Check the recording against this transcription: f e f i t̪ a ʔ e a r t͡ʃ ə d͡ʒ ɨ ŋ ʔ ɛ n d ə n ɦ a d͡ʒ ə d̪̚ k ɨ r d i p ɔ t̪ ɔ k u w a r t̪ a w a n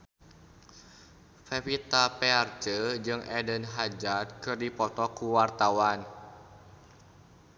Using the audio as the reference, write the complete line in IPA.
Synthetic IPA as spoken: f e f i t̪ a p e a r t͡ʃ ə d͡ʒ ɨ ŋ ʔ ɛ d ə n ɦ a d͡ʒ a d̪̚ k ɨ r d i p ɔ t̪ ɔ k u w a r t̪ a w a n